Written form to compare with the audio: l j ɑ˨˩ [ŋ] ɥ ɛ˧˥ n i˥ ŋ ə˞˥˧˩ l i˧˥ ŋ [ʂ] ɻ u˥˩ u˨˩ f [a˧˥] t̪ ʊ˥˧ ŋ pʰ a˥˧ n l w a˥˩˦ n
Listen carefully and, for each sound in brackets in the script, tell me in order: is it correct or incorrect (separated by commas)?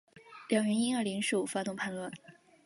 correct, correct, incorrect